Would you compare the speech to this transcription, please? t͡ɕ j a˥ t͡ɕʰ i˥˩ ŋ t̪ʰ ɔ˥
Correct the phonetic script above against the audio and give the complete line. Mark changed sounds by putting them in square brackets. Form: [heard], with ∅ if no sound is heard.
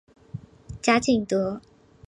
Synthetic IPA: t͡ɕ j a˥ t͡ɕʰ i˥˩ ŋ [t̪] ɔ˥